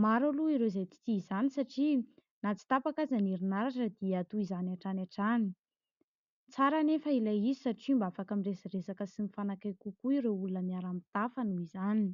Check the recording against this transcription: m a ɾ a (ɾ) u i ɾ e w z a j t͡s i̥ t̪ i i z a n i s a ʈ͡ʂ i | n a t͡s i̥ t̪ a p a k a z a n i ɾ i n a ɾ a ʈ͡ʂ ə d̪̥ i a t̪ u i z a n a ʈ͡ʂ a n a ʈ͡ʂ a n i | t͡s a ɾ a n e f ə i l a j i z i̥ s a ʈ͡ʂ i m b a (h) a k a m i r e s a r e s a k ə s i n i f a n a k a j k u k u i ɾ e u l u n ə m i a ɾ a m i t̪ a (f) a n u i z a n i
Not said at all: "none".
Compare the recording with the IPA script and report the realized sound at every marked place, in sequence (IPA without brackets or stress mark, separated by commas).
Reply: l, f, f